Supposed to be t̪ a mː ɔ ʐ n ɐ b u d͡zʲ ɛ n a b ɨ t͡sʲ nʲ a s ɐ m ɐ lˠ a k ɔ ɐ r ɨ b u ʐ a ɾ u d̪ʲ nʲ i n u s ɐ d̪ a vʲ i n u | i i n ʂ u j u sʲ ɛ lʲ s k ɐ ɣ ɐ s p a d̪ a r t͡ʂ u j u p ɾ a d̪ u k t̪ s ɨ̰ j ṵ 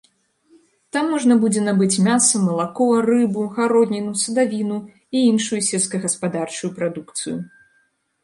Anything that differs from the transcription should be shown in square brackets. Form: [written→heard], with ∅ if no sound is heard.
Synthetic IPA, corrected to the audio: t̪ a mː ɔ ʐ n ɐ b u d͡zʲ ɛ n a b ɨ t͡sʲ [nʲ→mʲ] a s ɐ m ɐ lˠ a k ɔ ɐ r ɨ b u [ʐ→ɣ] a ɾ [u→ɔ] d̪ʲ nʲ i n u s ɐ d̪ a vʲ i n u | i i n ʂ u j u sʲ ɛ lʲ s k ɐ ɣ ɐ s p a d̪ a r t͡ʂ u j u p ɾ a d̪ u k t̪ s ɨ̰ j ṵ